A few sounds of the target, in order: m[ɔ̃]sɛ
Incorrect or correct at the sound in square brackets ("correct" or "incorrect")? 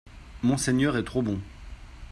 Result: correct